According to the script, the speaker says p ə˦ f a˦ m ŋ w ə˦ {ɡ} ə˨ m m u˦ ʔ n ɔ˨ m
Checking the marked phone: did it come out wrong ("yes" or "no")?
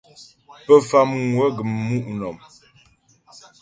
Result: no